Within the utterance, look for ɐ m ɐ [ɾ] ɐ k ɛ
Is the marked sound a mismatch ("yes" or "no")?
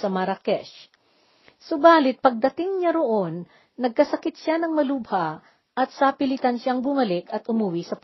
no